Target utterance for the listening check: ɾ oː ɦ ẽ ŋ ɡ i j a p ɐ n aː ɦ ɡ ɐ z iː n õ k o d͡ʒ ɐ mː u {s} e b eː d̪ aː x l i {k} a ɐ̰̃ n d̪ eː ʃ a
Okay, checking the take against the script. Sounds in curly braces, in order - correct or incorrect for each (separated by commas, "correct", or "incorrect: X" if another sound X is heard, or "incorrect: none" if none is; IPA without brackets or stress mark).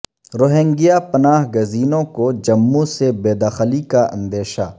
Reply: correct, correct